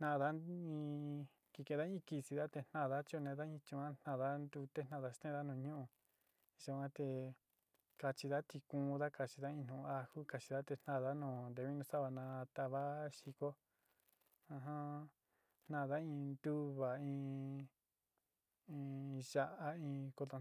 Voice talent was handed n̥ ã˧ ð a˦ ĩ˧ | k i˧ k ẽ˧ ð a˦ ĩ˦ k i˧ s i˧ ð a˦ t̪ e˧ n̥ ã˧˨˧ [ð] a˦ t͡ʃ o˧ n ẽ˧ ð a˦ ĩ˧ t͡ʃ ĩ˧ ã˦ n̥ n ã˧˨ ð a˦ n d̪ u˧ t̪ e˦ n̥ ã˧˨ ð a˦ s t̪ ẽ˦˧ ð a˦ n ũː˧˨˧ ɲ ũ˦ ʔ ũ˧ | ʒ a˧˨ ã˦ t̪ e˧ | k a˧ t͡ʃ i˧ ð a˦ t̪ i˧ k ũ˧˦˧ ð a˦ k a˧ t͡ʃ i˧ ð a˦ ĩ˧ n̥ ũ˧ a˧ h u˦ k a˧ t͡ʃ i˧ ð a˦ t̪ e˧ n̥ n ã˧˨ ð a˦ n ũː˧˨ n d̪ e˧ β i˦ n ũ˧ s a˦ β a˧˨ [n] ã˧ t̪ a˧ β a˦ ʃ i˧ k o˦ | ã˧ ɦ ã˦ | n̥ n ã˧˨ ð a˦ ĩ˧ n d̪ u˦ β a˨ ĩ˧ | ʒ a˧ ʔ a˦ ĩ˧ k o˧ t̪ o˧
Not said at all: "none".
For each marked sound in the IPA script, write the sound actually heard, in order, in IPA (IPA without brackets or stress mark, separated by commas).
ð, n